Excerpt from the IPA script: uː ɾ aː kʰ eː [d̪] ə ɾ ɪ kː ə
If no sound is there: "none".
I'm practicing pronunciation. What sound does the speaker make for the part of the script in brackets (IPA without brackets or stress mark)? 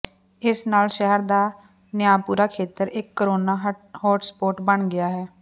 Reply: t̪